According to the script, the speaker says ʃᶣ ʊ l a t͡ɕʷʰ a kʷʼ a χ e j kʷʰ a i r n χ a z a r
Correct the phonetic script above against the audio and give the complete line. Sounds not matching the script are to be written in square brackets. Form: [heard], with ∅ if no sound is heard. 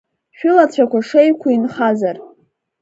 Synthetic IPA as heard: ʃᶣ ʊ l a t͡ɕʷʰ a [kʷ] a [ʂ] e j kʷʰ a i [∅] n χ a z a r